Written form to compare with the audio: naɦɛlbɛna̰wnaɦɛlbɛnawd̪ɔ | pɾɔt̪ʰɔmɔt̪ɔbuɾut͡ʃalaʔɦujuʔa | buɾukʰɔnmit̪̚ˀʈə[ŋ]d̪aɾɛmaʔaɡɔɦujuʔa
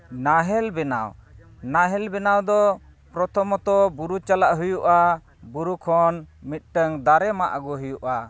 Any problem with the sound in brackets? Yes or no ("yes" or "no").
no